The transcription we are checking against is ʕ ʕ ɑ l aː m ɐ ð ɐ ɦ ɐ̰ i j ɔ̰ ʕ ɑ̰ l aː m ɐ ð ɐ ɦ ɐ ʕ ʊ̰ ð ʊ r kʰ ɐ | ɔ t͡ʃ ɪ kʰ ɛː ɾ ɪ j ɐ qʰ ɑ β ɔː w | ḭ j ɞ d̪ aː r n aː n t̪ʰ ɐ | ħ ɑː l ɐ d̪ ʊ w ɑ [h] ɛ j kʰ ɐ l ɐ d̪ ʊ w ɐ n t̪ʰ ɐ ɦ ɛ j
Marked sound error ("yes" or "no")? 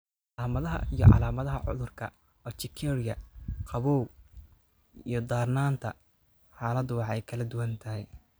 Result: yes